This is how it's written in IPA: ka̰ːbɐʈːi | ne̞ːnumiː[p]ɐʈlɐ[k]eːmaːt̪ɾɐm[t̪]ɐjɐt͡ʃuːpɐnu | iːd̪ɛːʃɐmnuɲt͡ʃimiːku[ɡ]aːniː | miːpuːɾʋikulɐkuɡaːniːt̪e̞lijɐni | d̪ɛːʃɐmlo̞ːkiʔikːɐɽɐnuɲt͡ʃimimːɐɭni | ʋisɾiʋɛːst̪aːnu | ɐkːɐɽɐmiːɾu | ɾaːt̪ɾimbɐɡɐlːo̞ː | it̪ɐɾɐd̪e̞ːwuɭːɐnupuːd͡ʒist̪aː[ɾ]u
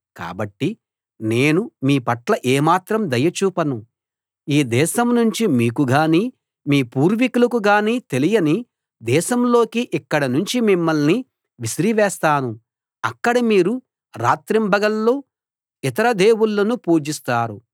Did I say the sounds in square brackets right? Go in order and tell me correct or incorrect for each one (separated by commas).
correct, incorrect, incorrect, correct, correct